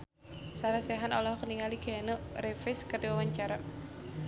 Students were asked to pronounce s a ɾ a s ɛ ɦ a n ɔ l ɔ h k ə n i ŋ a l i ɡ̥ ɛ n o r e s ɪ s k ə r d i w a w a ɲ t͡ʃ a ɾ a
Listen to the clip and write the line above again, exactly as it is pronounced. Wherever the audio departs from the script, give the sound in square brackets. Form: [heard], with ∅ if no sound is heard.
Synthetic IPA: s a ɾ a s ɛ ɦ a n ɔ l ɔ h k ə n i ŋ a l i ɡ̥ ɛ n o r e [f] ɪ s k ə r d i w a w a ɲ t͡ʃ a ɾ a